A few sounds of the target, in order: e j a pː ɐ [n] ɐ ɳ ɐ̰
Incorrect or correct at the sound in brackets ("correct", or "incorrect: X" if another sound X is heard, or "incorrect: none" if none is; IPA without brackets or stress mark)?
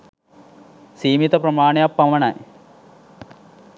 incorrect: m